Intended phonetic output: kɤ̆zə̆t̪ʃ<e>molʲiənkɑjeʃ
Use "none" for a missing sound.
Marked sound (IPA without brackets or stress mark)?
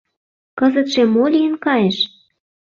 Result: e